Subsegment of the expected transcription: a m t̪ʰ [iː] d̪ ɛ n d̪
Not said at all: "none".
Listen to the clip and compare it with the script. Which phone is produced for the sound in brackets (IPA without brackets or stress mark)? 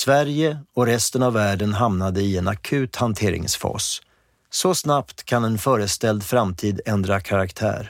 iː